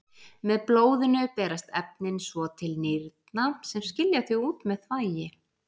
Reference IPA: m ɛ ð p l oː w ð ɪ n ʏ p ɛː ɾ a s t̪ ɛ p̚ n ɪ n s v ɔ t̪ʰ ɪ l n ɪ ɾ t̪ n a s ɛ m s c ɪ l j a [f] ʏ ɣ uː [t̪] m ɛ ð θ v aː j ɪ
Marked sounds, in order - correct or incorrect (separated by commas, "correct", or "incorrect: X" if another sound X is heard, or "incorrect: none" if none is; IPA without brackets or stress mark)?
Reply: incorrect: θ, correct